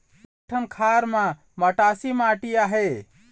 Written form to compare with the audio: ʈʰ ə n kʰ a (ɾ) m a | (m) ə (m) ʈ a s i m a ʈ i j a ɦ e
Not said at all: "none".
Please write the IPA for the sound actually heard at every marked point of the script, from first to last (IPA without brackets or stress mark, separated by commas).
ɾ, m, none